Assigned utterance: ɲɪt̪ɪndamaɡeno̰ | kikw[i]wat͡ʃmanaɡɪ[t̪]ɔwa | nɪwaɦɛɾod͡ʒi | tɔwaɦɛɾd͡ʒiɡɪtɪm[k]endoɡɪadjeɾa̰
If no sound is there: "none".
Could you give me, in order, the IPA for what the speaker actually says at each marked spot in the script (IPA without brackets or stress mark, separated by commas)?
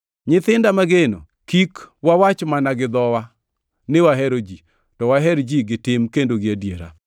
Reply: a, d̪, k